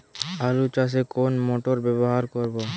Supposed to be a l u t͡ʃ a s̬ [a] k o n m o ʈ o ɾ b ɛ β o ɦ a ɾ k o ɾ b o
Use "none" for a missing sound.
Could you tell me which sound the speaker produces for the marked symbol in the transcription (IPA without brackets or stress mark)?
e